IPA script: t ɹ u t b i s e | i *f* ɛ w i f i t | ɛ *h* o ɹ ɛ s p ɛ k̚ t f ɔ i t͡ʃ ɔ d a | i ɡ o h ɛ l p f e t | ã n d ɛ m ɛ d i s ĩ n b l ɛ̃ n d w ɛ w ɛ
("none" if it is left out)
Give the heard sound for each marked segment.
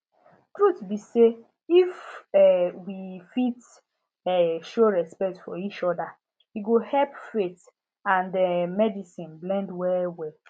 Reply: f, ʃ

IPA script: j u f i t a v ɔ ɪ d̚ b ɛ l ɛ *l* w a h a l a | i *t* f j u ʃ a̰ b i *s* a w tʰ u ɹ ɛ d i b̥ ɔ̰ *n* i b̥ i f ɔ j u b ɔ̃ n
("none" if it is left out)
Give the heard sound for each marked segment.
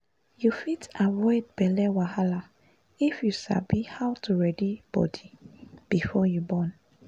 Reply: none, none, h, d

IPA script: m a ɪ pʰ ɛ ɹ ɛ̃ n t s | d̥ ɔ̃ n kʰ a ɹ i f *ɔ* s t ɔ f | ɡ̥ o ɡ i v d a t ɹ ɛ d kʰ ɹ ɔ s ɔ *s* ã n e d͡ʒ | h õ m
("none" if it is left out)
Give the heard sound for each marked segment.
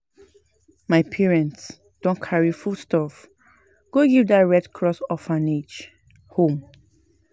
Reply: u, f

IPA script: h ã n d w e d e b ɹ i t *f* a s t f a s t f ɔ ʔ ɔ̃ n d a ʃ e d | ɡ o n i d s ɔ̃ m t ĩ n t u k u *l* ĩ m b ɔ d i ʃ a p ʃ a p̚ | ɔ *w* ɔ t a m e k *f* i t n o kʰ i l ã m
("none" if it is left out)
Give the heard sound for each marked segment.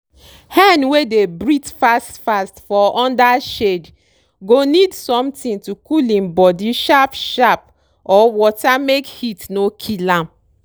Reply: f, l, w, h

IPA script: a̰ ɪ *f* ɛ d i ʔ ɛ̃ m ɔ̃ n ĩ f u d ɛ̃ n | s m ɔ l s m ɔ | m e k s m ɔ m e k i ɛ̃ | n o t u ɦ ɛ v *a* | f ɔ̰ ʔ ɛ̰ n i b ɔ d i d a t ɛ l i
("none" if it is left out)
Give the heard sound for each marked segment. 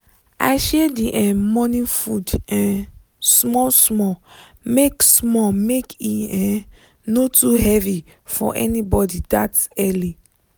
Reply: ʃ, i

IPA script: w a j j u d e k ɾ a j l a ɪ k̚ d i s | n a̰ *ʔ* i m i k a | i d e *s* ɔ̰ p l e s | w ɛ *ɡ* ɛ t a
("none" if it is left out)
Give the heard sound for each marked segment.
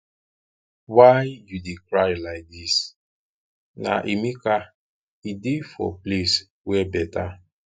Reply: ʔ, f, b

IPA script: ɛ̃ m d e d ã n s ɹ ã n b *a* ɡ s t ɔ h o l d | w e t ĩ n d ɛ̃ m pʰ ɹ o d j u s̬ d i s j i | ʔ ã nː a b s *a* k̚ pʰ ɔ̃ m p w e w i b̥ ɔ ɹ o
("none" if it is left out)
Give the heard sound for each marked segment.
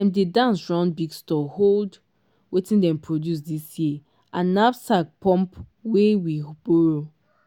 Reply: i, a

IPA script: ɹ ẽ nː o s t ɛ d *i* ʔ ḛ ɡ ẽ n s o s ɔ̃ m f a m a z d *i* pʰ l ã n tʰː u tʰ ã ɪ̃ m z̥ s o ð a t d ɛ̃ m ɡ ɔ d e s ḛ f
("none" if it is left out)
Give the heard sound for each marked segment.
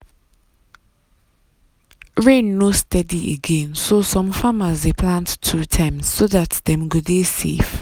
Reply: i, e

